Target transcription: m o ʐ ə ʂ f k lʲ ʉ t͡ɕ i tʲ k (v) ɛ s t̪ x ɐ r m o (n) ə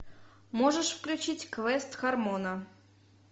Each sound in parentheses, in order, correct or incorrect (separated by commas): correct, correct